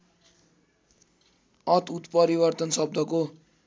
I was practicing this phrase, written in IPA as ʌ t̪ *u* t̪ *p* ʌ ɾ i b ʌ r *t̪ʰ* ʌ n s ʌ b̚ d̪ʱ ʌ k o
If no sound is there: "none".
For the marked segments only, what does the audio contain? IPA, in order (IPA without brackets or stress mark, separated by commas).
u, p, t̪